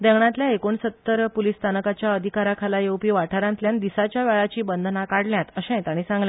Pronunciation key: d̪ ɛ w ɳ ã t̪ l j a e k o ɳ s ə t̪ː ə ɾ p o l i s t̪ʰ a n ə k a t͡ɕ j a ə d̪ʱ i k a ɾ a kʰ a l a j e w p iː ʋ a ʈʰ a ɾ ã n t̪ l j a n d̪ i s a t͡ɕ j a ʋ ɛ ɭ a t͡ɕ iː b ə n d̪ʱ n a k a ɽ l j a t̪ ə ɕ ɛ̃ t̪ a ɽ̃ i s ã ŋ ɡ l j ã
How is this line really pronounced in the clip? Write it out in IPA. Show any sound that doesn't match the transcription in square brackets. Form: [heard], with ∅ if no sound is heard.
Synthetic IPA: d̪ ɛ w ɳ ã t̪ l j a e k o ɳ s ə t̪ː ə ɾ p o l i s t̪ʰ a n ə k a t͡ɕ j a ə d̪ʱ i k a ɾ a kʰ a l a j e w p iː ʋ a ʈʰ a ɾ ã n t̪ l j a n d̪ i s a t͡ɕ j a ʋ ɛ ɭ a t͡ɕ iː b ə n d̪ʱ n a k a ɽ l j a t̪ ə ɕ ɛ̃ t̪ a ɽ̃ i s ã ŋ ɡ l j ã

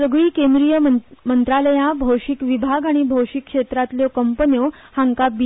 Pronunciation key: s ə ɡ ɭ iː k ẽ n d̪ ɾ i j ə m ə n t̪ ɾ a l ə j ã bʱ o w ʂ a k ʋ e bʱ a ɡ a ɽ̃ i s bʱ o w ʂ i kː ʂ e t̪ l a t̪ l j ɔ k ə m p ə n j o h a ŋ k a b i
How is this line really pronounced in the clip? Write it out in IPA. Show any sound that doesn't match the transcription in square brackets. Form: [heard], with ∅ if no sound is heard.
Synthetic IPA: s ə ɡ ɭ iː k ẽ n d̪ ɾ i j ə m ə n t̪ ɾ a l ə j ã bʱ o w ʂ [i] k ʋ [i] bʱ a ɡ a ɽ̃ i [∅] bʱ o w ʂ i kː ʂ e t̪ [ɾ] a t̪ l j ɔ k ə m p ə n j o h a ŋ k a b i

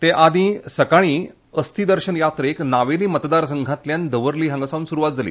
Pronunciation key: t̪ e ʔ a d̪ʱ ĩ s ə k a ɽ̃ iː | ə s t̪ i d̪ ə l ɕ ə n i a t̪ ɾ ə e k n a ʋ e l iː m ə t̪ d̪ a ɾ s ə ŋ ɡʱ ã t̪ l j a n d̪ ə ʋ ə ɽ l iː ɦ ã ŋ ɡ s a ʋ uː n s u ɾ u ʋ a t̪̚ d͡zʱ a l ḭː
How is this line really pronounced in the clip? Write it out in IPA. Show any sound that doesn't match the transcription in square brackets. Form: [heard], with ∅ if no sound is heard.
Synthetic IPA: t̪ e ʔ a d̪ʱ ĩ s ə k a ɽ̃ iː | ə s t̪ i d̪ ə [ɾ] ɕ ə n [j] a t̪ ɾ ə e k n a ʋ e l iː m ə t̪ d̪ a ɾ s ə ŋ ɡʱ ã t̪ l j a n d̪ ə ʋ ə [ɾ] l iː ɦ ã ŋ ɡ s a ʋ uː n s u ɾ u ʋ a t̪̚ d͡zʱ a l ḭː

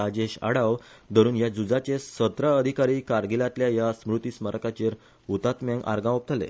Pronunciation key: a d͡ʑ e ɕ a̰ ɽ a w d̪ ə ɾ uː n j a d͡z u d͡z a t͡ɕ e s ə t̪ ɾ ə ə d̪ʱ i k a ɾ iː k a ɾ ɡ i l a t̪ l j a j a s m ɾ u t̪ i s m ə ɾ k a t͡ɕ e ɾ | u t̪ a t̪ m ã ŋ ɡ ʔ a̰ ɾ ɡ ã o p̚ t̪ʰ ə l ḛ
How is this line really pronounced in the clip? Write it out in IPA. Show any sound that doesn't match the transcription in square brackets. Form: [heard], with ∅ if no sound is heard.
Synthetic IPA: a d͡ʑ e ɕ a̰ ɽ a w d̪ ə ɾ uː n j a d͡z u d͡z a t͡ɕ e s ə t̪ ɾ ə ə d̪ʱ i k a ɾ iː k a ɾ ɡ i l a t̪ l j a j a s m ɾ u t̪ i s m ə ɾ k a t͡ɕ e ɾ | u t̪ a t̪ m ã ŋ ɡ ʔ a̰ ɾ ɡ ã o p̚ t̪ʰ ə l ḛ

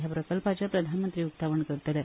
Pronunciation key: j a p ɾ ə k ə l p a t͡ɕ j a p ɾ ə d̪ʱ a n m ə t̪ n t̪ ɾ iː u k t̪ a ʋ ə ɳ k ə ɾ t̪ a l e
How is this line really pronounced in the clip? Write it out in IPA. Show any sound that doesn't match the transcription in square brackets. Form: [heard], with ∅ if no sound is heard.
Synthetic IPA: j a p ɾ ə k ə l p a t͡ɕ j a p ɾ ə d̪ʱ a n m ə [∅] n t̪ ɾ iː u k t̪ a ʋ ə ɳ k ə ɾ t̪ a l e

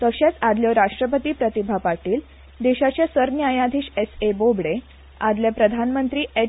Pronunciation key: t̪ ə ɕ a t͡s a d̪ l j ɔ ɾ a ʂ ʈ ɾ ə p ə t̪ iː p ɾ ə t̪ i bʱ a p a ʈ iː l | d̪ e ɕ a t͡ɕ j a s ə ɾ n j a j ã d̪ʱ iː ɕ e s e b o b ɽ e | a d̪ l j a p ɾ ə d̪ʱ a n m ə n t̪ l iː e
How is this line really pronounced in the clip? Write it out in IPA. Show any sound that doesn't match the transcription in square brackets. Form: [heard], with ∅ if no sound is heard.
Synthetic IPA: t̪ ə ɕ a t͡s a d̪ l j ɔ ɾ a ʂ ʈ ɾ ə p ə t̪ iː p ɾ ə t̪ i bʱ a p a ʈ iː l | d̪ e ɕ a t͡ɕ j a s ə ɾ n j a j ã d̪ʱ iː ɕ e s e b o b ɽ e | a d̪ l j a p ɾ ə d̪ʱ a n m ə n t̪ [ɾ] iː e

